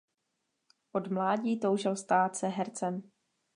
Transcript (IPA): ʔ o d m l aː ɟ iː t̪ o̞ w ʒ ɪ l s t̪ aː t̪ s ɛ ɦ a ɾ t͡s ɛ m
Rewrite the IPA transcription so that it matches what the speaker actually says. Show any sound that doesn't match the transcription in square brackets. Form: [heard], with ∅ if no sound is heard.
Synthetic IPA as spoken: ʔ o d m l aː ɟ iː t̪ o̞ w ʒ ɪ l s t̪ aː t̪ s ɛ ɦ [ɛ] ɾ t͡s ɛ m